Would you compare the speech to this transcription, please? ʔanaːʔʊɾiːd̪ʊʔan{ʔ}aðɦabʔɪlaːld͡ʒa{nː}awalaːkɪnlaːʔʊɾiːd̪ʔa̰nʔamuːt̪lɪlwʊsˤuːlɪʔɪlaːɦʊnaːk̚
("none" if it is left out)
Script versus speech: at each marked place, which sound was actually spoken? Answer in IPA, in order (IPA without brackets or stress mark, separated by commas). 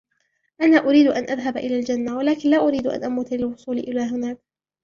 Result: ʔ, nː